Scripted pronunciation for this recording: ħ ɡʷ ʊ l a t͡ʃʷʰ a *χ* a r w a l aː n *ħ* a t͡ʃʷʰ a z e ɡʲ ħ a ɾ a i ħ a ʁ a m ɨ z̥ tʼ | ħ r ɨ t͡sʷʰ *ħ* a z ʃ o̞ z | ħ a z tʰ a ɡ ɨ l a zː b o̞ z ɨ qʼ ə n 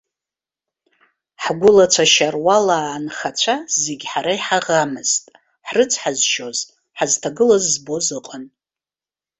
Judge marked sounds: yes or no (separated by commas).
no, no, yes